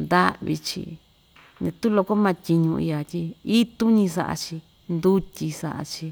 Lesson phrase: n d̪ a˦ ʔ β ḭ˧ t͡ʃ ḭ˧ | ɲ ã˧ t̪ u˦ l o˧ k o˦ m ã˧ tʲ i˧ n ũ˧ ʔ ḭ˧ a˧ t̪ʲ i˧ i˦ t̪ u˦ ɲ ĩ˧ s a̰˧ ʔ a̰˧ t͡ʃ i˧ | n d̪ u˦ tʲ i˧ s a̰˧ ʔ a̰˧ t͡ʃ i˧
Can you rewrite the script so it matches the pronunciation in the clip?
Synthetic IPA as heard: n d̪ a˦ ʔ β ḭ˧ t͡ʃ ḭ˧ | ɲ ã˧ t̪ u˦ l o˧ k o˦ m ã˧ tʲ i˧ ɲ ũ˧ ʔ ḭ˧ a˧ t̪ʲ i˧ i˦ t̪ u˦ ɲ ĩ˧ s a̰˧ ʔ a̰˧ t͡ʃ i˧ | n d̪ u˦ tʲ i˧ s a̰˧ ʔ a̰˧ t͡ʃ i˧